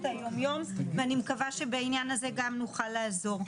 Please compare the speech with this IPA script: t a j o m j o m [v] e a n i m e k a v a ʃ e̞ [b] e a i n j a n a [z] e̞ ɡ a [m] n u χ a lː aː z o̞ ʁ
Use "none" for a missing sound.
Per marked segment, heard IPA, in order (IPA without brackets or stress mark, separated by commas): v, b, z, m